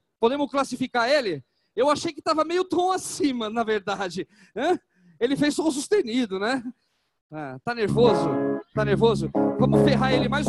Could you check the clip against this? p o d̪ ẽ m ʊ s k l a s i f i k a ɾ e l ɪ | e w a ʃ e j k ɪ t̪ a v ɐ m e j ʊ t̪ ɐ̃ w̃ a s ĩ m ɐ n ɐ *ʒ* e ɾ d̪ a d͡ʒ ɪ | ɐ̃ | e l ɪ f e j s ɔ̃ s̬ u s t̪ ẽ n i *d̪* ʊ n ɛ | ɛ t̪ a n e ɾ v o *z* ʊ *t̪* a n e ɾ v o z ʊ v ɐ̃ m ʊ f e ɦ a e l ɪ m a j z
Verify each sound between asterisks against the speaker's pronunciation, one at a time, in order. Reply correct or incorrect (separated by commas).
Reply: incorrect, correct, correct, correct